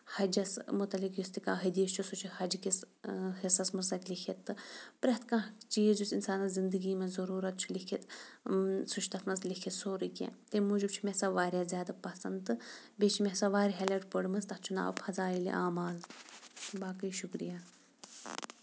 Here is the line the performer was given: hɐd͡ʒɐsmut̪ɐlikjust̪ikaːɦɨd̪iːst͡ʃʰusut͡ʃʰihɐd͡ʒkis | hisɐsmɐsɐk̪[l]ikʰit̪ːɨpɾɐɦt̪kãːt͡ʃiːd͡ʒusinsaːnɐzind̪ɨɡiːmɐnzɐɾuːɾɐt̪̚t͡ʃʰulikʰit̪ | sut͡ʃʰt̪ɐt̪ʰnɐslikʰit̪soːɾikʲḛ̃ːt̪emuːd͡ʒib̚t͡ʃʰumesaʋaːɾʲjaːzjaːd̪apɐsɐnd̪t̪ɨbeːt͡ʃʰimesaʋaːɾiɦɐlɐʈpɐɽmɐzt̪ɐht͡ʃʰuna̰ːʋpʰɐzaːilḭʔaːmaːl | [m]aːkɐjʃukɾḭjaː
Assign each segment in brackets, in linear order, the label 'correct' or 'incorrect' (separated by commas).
correct, incorrect